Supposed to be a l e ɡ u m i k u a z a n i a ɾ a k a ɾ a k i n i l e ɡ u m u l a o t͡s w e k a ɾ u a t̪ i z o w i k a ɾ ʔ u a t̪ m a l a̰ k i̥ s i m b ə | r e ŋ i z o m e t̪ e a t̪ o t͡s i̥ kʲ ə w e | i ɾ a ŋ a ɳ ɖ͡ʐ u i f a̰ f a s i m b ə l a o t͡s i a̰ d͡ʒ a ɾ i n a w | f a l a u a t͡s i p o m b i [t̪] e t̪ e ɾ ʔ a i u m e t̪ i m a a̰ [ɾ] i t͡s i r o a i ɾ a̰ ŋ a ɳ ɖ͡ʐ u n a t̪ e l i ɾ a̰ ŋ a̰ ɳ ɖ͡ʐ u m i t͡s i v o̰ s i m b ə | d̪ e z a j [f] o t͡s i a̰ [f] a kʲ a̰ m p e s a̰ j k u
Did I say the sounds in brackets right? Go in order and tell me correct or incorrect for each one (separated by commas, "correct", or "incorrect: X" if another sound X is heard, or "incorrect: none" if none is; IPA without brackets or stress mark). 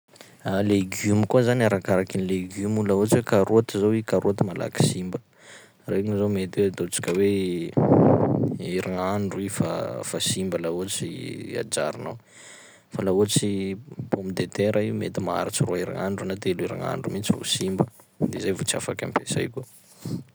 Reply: incorrect: d̪, correct, incorrect: v, correct